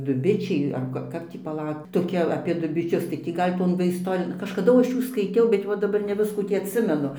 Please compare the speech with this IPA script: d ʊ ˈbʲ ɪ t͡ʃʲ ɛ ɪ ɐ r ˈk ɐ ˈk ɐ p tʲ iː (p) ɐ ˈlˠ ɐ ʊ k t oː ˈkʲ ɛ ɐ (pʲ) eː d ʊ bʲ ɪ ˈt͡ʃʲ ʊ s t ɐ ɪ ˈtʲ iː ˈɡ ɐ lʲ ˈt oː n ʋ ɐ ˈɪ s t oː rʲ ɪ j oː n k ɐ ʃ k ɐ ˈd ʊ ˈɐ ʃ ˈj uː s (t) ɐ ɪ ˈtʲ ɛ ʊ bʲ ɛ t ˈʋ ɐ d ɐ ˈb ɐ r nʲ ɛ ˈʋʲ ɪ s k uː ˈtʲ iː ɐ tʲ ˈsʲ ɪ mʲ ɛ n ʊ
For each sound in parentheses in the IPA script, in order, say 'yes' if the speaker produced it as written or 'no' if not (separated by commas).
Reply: yes, yes, no